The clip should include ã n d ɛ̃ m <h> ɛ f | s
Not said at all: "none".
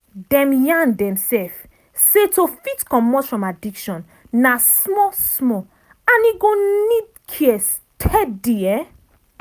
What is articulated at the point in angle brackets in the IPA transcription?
s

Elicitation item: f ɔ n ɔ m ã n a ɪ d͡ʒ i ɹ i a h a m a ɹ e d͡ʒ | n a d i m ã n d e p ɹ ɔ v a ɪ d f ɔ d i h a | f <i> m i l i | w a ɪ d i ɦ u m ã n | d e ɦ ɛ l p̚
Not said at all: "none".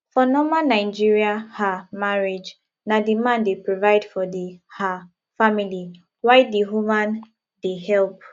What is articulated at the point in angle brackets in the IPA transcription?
a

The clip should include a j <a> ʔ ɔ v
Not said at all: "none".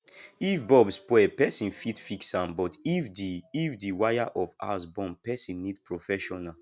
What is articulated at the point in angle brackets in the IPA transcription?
a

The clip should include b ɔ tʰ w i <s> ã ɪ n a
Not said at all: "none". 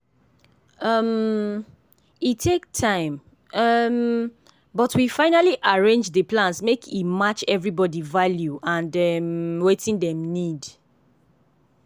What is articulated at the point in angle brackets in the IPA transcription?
f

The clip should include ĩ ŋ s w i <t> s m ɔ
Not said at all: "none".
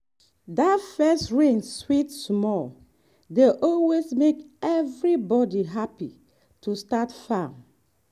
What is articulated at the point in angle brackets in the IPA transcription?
t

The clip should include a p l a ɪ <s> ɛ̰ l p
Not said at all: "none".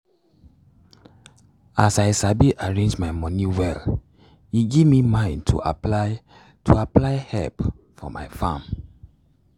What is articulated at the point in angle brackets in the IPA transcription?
h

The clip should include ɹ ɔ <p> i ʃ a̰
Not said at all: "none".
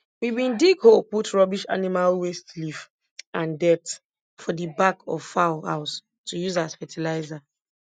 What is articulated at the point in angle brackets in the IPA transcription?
b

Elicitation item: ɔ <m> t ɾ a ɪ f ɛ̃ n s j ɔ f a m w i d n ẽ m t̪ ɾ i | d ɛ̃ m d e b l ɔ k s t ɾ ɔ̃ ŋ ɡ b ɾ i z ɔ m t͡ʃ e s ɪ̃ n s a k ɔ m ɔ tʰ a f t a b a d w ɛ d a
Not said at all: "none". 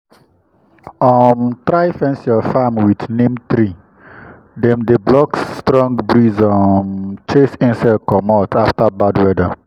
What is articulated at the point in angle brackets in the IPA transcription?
m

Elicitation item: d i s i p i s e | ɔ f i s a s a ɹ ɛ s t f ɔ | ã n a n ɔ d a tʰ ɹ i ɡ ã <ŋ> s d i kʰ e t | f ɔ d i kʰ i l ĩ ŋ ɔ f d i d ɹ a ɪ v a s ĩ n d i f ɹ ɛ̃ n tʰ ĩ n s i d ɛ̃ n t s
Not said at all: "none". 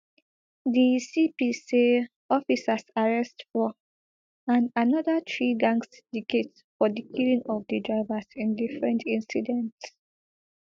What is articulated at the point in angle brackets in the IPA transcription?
ŋ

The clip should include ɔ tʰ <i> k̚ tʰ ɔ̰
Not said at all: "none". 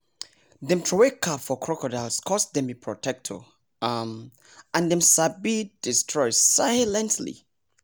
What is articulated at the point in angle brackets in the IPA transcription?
ɛ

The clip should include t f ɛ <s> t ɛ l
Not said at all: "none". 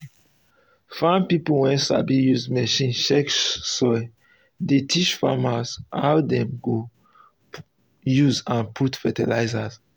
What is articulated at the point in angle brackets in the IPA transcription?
none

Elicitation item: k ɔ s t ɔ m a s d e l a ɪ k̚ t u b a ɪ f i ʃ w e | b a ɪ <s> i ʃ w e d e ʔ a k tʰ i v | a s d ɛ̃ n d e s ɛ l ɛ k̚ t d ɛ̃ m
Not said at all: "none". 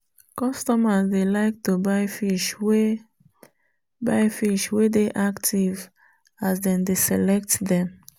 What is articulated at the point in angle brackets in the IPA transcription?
f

